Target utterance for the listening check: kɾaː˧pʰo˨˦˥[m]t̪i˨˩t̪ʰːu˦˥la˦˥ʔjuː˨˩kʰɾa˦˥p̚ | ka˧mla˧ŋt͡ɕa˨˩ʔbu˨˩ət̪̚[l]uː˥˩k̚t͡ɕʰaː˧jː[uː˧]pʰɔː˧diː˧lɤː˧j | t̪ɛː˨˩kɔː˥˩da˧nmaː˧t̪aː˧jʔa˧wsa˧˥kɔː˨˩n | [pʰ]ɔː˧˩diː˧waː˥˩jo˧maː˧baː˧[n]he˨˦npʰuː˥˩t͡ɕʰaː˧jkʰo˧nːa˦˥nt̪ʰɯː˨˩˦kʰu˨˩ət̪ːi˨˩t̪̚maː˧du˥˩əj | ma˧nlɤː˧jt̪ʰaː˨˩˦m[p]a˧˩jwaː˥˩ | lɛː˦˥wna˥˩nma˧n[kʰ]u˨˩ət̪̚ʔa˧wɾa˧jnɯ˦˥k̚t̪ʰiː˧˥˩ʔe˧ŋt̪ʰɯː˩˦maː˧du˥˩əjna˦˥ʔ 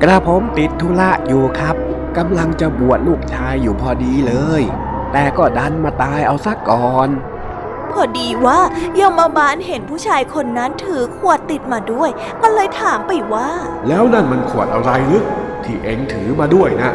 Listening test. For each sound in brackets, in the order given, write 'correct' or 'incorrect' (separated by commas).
correct, correct, incorrect, correct, correct, correct, correct